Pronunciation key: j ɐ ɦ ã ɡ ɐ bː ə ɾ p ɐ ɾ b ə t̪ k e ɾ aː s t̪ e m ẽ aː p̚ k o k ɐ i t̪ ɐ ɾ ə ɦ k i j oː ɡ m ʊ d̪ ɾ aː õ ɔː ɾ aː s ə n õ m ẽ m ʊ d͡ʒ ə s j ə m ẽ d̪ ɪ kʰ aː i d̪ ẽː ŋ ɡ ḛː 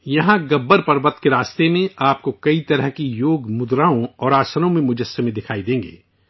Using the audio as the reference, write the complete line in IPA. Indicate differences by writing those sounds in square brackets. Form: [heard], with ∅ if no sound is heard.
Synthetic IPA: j ɐ ɦ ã ɡ ɐ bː ə ɾ p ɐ ɾ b ə t̪ k e ɾ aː s t̪ e m ẽ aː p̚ k o k ɐ i t̪ ɐ ɾ ə ɦ k i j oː ɡ m ʊ d̪ ɾ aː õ ɔː ɾ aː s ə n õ m ẽ m ʊ d͡ʒ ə s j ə m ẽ d̪ ɪ kʰ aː i d̪ ẽː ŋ ɡ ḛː